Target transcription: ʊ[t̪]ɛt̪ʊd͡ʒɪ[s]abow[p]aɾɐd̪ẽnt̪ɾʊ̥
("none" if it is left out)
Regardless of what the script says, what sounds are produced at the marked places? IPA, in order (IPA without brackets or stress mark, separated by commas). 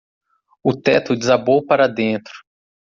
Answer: t̪, z, p